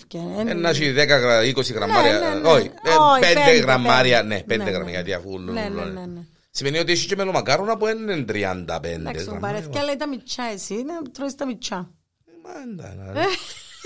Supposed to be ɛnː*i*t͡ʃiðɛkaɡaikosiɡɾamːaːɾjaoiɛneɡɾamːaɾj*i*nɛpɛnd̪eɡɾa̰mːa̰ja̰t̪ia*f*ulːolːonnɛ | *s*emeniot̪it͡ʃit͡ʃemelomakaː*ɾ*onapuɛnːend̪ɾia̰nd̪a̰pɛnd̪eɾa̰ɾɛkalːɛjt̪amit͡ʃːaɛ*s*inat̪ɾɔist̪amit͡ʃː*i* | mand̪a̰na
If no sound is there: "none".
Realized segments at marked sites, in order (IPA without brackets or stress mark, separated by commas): a, a, f, s, ɾ, s, a